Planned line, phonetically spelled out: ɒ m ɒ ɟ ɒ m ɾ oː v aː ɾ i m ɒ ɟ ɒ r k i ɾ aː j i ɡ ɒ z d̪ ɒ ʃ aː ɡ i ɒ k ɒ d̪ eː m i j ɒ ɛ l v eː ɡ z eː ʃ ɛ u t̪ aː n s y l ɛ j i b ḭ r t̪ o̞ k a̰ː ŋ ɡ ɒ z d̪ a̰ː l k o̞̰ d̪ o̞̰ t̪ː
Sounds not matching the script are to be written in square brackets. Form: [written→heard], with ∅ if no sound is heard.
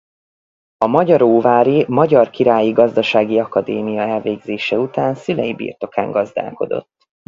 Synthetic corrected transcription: ɒ m ɒ ɟ ɒ [m→∅] ɾ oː v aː ɾ i m ɒ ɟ ɒ r k i ɾ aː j i ɡ ɒ z d̪ ɒ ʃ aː ɡ i ɒ k ɒ d̪ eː m i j ɒ ɛ l v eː ɡ z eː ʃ ɛ u t̪ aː n s y l ɛ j i b ḭ r t̪ o̞ k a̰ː ŋ ɡ ɒ z d̪ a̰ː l k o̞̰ d̪ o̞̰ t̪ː